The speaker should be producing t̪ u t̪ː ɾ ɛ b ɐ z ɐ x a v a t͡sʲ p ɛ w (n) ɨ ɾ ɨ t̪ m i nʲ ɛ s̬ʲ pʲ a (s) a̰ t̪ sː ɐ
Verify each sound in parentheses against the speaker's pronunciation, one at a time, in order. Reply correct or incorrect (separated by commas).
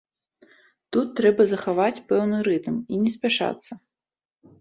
correct, incorrect